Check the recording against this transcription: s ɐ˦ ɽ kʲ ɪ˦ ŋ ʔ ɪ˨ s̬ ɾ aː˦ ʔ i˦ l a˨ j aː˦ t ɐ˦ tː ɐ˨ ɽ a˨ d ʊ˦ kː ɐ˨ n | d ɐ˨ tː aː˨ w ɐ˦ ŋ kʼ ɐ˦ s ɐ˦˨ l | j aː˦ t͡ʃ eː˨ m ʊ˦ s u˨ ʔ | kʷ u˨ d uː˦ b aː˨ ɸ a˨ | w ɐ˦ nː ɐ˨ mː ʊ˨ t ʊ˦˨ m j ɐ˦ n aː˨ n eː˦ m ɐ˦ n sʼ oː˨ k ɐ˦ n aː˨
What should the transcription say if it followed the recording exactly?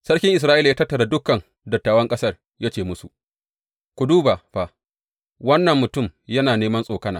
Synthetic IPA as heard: s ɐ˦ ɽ kʲ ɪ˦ ŋ ʔ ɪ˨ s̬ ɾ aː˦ ʔ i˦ l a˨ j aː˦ t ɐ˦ tː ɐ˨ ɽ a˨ d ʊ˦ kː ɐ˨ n | d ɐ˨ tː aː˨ w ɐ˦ ŋ kʼ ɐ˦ s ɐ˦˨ r | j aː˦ t͡ʃ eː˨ m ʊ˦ s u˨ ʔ | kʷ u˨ d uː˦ b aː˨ ɸ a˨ | w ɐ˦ nː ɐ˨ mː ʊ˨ t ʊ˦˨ m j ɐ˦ n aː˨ n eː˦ m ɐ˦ n sʼ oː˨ k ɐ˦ n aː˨